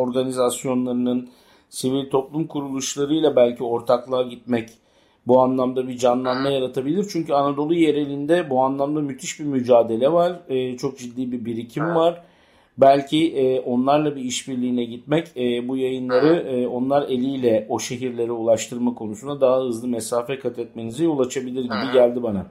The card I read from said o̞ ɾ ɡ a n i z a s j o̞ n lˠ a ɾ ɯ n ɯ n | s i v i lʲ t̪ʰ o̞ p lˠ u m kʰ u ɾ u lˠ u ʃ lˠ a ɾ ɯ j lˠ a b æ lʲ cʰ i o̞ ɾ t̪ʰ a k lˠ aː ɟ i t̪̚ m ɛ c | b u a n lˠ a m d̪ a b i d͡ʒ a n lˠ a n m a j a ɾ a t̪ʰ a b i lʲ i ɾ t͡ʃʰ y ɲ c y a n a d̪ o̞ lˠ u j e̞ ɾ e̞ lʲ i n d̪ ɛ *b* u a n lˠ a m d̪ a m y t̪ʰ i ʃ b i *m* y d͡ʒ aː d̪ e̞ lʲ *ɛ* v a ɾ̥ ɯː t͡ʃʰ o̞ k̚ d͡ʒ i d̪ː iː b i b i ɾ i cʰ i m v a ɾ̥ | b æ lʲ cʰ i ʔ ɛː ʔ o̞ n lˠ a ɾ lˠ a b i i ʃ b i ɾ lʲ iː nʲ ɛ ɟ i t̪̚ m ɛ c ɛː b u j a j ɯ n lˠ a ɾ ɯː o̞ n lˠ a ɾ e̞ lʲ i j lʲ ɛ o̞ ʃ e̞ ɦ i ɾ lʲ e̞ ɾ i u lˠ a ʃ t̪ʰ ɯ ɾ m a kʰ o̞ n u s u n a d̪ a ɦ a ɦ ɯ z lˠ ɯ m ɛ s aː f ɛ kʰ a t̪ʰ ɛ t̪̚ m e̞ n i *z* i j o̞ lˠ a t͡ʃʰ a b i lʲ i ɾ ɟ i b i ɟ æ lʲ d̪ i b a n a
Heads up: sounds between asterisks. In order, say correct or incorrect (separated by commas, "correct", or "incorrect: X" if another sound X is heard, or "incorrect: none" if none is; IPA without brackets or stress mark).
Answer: correct, correct, correct, correct